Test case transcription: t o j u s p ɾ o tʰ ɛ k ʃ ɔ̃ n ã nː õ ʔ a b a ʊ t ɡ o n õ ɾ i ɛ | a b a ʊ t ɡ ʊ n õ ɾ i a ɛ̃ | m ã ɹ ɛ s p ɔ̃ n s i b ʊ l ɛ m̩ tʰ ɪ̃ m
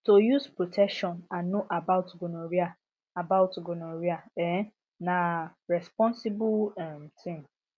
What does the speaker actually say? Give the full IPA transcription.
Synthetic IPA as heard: t o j u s p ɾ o tʰ ɛ k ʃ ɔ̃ n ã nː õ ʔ a b a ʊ t ɡ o n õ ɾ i a | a b a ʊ t ɡ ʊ n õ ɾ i a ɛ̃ | n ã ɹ ɛ s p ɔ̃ n s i b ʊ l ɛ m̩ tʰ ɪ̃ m